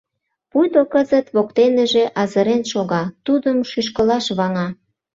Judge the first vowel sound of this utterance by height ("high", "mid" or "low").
high